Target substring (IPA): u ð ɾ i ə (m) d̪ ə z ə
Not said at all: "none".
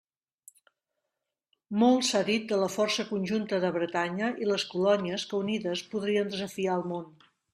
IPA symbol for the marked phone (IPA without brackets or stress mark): n